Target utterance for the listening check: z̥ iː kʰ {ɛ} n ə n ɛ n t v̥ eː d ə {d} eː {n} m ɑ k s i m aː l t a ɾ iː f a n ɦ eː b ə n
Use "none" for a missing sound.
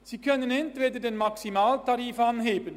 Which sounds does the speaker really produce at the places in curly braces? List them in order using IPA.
œ, d, n

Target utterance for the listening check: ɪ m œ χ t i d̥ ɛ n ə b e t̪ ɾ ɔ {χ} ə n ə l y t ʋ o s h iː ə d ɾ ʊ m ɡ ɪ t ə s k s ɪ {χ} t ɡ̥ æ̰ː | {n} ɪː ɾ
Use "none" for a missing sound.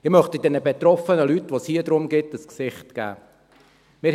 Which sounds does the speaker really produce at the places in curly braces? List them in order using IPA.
f, χ, m

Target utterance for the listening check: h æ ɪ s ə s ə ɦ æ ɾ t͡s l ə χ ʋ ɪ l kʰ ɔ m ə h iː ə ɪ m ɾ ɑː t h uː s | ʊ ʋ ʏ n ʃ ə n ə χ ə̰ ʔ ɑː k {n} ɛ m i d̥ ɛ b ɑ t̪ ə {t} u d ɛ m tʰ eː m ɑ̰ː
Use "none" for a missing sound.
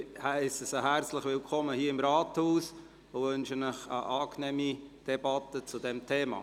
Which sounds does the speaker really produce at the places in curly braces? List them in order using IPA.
n, t͡s

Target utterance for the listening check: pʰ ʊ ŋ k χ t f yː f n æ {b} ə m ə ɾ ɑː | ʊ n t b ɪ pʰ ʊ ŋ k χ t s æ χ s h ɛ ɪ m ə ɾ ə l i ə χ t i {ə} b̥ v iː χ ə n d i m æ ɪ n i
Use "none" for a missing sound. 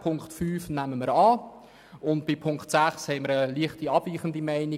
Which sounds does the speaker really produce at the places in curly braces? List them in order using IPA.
m, ɑ

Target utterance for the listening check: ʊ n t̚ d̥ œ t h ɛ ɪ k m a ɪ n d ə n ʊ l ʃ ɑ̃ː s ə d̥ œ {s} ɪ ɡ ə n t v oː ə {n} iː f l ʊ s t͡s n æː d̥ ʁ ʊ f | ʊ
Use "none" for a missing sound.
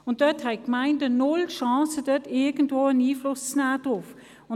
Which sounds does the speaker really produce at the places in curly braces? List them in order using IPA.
t, n

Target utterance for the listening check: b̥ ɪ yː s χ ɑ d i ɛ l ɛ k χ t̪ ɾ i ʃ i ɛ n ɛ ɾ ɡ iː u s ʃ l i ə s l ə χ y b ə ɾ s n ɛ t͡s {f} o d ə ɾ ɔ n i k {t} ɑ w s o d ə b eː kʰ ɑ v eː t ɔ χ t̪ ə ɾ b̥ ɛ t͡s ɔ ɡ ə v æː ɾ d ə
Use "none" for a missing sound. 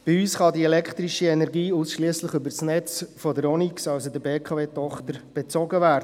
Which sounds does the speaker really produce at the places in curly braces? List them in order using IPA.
f, s

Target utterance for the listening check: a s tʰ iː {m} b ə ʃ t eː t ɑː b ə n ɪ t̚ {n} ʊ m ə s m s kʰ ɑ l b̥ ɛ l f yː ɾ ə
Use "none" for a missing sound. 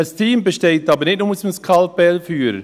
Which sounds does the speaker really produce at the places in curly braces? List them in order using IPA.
m, n

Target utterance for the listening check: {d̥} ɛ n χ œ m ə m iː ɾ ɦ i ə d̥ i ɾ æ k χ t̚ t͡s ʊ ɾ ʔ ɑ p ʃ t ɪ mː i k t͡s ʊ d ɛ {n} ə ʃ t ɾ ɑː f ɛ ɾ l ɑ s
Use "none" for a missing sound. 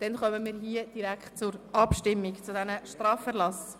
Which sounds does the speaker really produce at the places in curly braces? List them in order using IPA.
d̥, n

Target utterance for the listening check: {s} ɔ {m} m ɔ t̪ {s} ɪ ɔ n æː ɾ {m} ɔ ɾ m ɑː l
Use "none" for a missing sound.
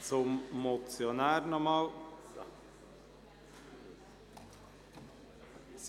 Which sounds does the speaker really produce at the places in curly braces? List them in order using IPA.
s, m, s, n

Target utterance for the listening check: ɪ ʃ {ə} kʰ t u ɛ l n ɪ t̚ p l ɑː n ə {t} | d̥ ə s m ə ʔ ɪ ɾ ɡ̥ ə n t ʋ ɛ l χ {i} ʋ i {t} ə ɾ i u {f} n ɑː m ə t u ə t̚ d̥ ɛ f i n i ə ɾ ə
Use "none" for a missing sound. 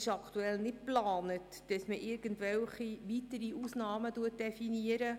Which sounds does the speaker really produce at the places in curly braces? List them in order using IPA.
ɑ, t, i, t, s

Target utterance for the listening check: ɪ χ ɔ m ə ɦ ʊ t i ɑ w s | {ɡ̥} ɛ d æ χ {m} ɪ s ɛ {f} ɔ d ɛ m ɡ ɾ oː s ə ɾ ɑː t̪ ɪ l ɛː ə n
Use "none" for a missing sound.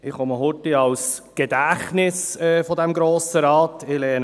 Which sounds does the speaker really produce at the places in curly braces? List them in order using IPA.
ɡ̥, n, f

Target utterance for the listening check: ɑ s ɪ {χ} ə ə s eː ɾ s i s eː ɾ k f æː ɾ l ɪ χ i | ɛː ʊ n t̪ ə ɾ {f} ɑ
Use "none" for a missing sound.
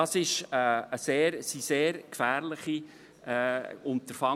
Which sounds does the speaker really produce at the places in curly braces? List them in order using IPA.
ʃ, f

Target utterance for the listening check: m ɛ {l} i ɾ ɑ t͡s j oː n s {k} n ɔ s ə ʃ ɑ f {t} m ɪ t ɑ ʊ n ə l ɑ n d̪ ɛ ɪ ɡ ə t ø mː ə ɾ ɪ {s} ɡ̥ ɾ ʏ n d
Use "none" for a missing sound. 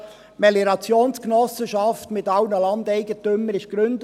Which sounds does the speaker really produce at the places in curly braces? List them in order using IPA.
l, k, t, ʃ

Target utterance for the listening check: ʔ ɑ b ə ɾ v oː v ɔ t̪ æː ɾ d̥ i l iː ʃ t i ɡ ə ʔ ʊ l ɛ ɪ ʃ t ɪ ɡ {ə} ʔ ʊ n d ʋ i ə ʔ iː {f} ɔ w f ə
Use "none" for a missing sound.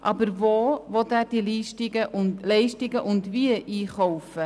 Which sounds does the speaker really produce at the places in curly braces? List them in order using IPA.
ə, χ

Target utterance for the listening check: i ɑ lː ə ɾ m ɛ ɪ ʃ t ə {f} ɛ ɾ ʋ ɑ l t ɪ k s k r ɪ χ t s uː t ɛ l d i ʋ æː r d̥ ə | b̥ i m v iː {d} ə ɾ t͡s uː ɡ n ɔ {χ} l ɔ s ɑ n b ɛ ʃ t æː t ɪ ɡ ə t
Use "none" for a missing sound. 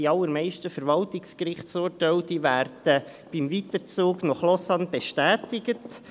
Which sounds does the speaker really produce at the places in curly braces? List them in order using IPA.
f, t, χ

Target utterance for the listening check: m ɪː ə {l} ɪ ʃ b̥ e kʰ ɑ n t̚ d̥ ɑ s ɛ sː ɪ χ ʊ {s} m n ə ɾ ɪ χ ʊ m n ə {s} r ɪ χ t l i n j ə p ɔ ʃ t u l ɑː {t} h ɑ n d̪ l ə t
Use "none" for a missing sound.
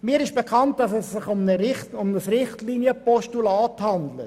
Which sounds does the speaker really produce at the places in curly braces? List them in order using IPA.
ɾ, none, s, t

